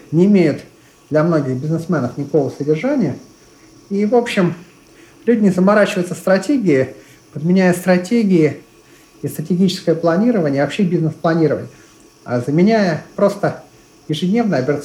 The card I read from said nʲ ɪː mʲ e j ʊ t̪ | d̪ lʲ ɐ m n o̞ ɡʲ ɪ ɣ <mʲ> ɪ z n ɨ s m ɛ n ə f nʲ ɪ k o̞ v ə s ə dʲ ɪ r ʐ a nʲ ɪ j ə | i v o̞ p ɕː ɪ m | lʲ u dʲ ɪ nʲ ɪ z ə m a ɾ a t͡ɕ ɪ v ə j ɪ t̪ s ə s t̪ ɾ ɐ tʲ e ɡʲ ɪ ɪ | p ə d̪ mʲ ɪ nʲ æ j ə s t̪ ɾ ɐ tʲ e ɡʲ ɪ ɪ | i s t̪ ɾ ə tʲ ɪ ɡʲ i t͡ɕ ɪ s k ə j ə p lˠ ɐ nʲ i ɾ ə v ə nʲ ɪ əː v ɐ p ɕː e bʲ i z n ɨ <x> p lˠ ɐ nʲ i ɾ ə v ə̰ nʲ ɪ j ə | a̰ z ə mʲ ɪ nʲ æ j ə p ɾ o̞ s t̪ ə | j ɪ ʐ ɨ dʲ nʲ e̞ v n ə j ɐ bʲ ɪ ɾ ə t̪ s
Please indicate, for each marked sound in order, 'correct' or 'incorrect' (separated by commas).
incorrect, incorrect